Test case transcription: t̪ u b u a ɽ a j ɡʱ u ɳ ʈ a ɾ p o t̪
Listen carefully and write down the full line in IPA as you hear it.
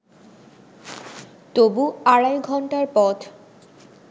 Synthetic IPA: t̪ o b u a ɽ a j ɡʱ ɔ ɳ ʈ a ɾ p ɔ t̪